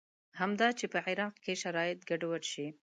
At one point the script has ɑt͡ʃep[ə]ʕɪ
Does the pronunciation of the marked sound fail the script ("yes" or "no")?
no